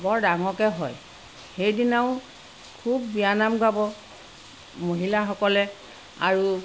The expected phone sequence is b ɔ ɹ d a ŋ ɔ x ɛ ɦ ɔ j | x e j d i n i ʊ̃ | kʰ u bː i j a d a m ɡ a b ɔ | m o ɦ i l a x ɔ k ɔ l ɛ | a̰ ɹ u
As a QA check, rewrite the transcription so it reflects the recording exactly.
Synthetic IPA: b ɔ ɹ d a ŋ ɔ k ɛ ɦ ɔ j | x e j d i n a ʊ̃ | kʰ u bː i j a n a m ɡ a b ɔ | m o ɦ i l a x ɔ k ɔ l ɛ | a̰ ɹ u

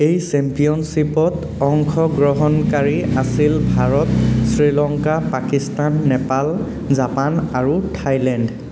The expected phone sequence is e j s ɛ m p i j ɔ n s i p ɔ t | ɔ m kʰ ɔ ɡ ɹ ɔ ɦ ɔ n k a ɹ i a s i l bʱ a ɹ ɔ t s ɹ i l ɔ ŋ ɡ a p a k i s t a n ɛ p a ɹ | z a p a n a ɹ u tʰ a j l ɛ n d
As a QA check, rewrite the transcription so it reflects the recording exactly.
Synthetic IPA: e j s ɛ m p i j ɔ n s i p ɔ t | ɔ ŋ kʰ ɔ ɡ ɹ ɔ ɦ ɔ n k a ɹ i a s i l bʱ a ɹ ɔ t s ɹ i l ɔ ŋ k a p a k i s t a nː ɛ p a l | z a p a n a ɹ u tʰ a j l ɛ n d

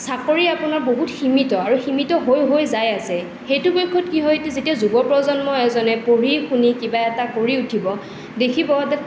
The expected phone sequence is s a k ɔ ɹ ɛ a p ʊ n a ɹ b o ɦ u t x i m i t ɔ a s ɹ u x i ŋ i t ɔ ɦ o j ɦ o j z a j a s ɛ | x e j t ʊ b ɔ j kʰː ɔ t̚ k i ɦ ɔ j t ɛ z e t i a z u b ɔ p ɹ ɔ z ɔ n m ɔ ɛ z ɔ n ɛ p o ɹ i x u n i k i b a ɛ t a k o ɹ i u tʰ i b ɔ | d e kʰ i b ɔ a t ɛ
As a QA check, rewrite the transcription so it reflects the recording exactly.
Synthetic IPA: s a k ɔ ɹ i a p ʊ n a ɹ b o ɦ u t x i m i t ɔ a ɹ u x i m i t ɔ ɦ o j ɦ o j z a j a s ɛ | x e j t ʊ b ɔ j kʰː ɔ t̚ k i ɦ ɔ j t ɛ z e t i a z u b ɔ p ɹ ɔ z ɔ n m ɔ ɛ z ɔ n ɛ p o ɹ i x u n i k i b a ɛ t a k o ɹ i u tʰ i b ɔ | d e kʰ i b ɔ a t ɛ

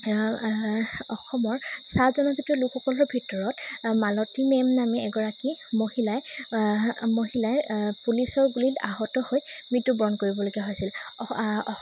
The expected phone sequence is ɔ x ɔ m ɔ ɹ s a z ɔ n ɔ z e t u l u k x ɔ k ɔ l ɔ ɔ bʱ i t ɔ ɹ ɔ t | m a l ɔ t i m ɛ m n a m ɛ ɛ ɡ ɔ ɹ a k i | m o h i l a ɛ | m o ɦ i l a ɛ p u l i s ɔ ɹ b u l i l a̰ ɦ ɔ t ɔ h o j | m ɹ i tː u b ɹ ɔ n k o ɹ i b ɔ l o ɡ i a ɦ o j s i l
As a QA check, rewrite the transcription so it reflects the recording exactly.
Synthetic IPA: ɔ x ɔ m ɔ ɹ s a z ɔ n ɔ z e t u l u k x ɔ k ɔ l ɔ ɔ bʱ i t ɔ ɹ ɔ t | m a l ɔ t i m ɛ m n a m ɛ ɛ ɡ ɔ ɹ a k i | m o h i l a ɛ | m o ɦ i l a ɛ p u l i s ɔ ɹ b u l i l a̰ ɦ ɔ t ɔ h o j | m ɹ i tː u b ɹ ɔ n k o ɹ i b ɔ l o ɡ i a ɦ o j s i l

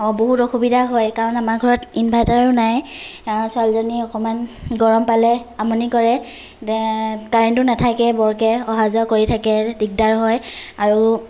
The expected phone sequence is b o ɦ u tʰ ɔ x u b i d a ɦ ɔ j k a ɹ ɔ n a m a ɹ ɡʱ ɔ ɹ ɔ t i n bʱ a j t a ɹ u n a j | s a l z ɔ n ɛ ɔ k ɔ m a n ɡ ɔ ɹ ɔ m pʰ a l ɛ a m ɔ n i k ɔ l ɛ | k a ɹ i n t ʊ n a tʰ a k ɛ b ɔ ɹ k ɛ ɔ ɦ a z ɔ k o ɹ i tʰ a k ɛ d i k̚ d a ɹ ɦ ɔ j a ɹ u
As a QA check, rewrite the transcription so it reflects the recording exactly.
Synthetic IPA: b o ɦ u t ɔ x u b i d a ɦ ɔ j k a ɹ ɔ n a m a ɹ ɡʱ ɔ ɹ ɔ t i n bʱ a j t a ɹ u n a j | s a l z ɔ n i ɔ k ɔ m a n ɡ ɔ ɹ ɔ m p a l ɛ a m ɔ n i k ɔ ɹ ɛ | k a ɹ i n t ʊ n a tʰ a k ɛ b ɔ ɹ k ɛ ɔ ɦ a z ɔ k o ɹ i tʰ a k ɛ d i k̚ d a ɹ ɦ ɔ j a ɹ u

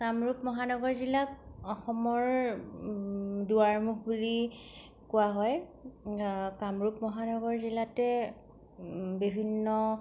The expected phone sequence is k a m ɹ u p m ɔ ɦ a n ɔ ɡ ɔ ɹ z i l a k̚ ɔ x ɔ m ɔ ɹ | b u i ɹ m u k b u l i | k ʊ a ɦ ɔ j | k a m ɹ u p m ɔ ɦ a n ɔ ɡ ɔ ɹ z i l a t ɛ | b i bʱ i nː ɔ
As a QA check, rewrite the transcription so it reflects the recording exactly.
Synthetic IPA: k a m ɹ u p m ɔ ɦ a n ɔ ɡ ɔ ɹ z i l a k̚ ɔ x ɔ m ɔ ɹ | d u a ɹ m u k b u l i | k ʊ a ɦ ɔ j | k a m ɹ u p m ɔ ɦ a n ɔ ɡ ɔ ɹ z i l a t ɛ | b i bʱ i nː ɔ

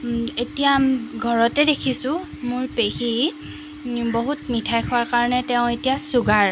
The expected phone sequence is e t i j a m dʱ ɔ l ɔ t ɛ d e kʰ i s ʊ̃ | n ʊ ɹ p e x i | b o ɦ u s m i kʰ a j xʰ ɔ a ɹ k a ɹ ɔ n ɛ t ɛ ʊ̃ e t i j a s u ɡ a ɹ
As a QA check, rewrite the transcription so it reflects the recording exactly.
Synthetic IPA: e t i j a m ɡʱ ɔ ɹ ɔ t ɛ d e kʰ i s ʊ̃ | m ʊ ɹ p e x i | b o ɦ u t m i tʰ a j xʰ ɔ a ɹ k a ɹ ɔ n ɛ t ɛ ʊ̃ e t i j a s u ɡ a ɹ

